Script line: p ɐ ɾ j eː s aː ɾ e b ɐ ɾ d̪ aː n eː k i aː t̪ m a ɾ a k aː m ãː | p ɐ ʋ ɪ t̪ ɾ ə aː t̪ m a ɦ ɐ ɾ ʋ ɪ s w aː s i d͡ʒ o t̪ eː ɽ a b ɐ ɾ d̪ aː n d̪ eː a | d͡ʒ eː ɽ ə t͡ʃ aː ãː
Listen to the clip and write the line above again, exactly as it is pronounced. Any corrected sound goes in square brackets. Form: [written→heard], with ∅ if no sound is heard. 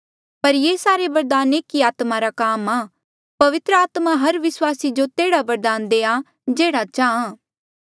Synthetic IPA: p ɐ ɾ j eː s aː ɾ e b ɐ ɾ d̪ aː n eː k i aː t̪ m a ɾ a k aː m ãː | p ɐ ʋ ɪ t̪ ɾ ə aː t̪ m a ɦ ɐ ɾ ʋ ɪ s w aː s i d͡ʒ o t̪ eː ɽ a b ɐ ɾ d̪ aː n d̪ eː a | d͡ʒ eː ɽ [ə→a] t͡ʃ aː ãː